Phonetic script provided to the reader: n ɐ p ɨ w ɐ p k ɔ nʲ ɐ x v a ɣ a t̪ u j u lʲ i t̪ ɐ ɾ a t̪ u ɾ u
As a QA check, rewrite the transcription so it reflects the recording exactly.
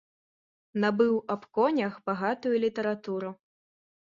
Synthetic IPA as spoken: n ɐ b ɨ w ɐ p k ɔ nʲ ɐ x b a ɣ a t̪ u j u lʲ i t̪ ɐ ɾ a t̪ u ɾ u